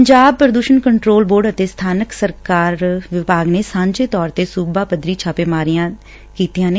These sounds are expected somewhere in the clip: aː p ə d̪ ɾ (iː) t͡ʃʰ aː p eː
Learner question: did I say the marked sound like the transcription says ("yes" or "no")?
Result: yes